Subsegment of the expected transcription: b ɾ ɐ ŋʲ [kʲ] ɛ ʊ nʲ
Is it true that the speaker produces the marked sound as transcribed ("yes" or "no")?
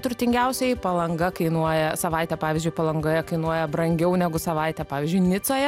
no